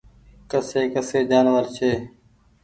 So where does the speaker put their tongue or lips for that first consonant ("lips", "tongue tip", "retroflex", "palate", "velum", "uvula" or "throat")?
velum